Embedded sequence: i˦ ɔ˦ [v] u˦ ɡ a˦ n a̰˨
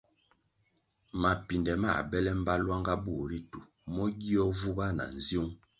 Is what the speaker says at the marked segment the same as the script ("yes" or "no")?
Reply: yes